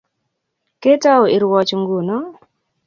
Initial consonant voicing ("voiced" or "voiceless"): voiceless